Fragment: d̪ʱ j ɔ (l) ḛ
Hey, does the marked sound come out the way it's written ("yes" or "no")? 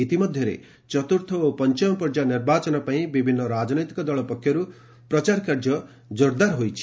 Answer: no